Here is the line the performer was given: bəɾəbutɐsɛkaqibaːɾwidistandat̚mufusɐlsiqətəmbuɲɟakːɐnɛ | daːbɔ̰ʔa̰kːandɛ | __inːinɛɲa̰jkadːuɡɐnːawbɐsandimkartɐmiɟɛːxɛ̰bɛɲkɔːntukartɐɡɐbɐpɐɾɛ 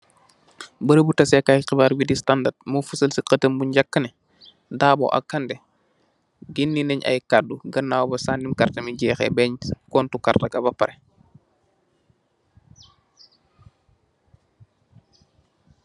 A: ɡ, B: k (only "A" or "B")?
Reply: A